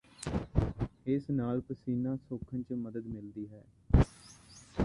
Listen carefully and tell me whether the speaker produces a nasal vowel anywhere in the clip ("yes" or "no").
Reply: no